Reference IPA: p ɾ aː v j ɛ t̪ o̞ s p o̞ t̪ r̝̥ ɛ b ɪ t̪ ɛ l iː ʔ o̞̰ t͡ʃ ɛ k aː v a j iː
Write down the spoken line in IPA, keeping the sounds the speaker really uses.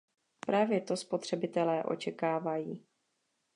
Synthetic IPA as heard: p ɾ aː v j ɛ t̪ o̞ s p o̞ t̪ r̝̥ ɛ b ɪ t̪ ɛ l ɛː ʔ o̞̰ t͡ʃ ɛ k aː v a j iː